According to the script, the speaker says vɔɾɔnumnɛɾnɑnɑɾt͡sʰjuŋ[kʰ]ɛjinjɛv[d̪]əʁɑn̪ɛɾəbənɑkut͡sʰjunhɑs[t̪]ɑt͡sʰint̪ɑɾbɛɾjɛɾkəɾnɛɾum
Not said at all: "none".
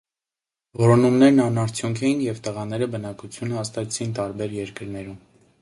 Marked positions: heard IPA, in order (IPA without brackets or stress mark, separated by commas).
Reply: kʰ, t̪, t̪